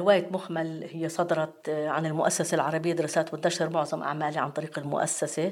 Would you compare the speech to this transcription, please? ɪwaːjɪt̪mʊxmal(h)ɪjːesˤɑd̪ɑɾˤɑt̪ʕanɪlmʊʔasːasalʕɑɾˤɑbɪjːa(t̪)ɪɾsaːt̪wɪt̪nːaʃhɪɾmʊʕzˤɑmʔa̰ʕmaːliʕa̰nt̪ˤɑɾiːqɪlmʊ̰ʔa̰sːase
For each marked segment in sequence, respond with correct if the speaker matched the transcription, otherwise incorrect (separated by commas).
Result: correct, incorrect